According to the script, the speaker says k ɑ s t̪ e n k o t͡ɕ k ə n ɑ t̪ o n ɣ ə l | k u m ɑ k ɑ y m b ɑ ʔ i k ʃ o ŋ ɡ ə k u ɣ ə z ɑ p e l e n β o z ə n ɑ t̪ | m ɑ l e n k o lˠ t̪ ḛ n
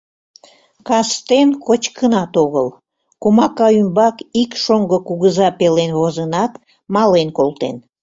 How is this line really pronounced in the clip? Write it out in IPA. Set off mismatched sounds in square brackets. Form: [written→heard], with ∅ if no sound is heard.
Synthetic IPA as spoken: k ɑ s t̪ e n k o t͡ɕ k ə n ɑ t̪ o [n→∅] ɣ ə l | k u m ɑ k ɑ y m b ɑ [ʔ→k] i k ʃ o ŋ ɡ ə k u ɣ ə z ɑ p e l e n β o z ə n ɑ t̪ | m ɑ l e n k o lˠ t̪ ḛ n